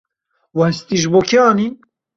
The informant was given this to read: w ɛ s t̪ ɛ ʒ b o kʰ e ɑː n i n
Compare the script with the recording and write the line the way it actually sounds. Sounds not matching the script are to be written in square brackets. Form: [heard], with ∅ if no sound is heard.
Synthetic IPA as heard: w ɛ s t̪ [i] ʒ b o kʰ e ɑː n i n